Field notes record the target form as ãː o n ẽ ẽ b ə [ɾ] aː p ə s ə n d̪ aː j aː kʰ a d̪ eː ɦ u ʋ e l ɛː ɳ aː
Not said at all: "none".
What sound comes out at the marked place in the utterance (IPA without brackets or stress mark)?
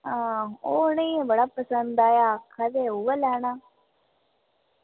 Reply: ɽ